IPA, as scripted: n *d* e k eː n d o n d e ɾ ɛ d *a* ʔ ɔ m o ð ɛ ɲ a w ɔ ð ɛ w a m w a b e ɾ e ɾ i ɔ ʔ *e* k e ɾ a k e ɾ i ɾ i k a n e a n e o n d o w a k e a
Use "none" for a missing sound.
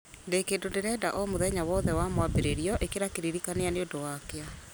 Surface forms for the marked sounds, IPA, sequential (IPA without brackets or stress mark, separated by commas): d, a, e